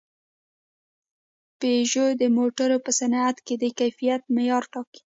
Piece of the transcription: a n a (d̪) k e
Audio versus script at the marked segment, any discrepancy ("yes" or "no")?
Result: yes